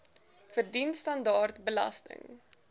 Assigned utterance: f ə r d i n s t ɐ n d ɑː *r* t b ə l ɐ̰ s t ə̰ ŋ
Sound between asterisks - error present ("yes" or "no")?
no